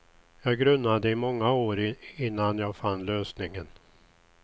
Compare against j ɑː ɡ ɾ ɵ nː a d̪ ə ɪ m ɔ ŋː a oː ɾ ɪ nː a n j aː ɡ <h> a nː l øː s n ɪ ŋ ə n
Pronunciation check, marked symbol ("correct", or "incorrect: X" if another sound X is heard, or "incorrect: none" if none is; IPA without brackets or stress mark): incorrect: f